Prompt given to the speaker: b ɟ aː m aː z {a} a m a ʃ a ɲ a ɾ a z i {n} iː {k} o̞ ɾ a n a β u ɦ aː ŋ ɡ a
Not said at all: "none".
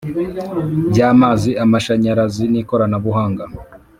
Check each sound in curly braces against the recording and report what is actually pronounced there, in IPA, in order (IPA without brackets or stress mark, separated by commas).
i, n, k